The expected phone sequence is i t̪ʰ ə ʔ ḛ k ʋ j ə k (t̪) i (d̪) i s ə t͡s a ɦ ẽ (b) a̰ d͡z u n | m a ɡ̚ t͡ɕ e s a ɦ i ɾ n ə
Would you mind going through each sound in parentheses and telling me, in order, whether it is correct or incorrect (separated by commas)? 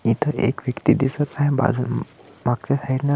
correct, correct, correct